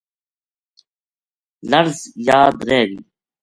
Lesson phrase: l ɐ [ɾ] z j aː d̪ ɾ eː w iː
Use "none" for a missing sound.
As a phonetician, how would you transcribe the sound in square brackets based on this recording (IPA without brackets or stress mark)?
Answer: ɾ